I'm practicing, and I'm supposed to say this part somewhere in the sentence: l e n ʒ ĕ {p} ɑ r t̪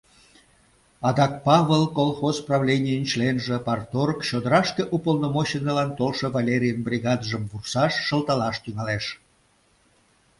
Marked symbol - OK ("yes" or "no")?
yes